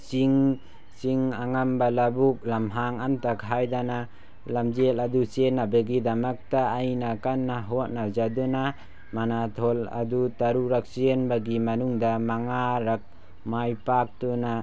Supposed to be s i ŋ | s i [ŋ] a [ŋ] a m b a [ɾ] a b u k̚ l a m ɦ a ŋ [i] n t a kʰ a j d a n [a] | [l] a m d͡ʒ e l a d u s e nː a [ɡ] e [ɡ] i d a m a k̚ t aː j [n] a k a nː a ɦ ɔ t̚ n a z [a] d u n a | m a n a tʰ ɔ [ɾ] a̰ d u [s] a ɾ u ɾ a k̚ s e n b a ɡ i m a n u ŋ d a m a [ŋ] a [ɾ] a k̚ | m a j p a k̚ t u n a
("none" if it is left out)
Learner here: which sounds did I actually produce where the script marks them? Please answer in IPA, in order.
ŋ, ŋ, l, a, a, l, b, ɡ, n, a, l, t, ŋ, ɾ

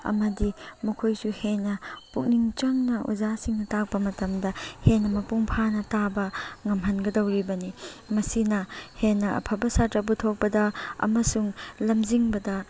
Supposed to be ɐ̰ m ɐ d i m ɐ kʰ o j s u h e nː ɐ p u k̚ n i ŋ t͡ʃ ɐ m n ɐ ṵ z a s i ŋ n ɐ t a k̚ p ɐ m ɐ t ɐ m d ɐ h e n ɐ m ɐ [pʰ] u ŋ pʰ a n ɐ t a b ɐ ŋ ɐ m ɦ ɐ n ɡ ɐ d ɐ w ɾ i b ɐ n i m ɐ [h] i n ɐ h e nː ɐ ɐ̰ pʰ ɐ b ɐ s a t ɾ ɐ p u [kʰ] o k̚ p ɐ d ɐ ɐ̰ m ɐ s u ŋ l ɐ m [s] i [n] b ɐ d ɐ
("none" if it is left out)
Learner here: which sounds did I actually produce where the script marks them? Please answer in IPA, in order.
p, s, tʰ, z, ŋ

